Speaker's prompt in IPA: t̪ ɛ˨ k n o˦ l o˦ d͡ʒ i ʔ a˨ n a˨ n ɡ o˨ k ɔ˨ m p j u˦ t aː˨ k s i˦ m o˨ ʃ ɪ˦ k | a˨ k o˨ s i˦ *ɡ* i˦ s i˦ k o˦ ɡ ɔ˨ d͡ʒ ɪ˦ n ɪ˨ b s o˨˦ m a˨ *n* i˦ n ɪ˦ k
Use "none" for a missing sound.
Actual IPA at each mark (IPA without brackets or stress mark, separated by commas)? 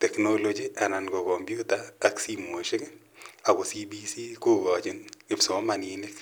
b, n